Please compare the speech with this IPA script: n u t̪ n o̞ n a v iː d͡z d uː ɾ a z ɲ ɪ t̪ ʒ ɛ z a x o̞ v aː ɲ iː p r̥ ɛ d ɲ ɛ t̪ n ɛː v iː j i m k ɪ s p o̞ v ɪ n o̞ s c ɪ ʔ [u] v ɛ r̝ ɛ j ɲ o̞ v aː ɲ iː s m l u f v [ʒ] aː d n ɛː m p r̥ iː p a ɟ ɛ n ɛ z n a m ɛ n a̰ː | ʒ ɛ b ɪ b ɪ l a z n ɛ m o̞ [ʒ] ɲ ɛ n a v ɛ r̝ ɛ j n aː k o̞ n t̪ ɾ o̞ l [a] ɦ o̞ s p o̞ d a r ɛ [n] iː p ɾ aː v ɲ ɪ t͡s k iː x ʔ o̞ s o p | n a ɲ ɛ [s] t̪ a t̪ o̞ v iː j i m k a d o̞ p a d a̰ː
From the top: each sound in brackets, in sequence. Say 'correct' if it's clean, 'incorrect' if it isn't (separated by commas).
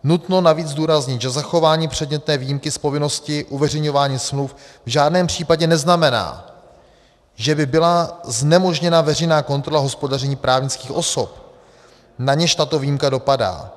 correct, correct, correct, correct, incorrect, incorrect